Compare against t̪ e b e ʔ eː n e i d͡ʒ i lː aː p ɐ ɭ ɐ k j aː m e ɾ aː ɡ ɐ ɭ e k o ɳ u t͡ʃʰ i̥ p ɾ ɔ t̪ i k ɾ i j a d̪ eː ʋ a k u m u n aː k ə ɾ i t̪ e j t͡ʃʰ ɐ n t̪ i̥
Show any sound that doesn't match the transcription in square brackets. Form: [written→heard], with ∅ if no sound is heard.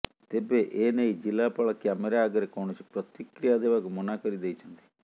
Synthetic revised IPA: t̪ e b e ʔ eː n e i d͡ʒ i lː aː p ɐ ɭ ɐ k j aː m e ɾ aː ɡ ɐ [ɭ→ɾ] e k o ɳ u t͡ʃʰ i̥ p ɾ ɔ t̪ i k ɾ i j a d̪ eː ʋ a k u m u n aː k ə ɾ i [t̪→d̪] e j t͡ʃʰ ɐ n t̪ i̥